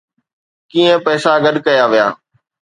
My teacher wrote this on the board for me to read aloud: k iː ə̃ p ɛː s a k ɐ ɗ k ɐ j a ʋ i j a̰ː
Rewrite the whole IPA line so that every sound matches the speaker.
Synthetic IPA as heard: k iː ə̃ p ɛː s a ɡ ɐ ɗ k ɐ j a ʋ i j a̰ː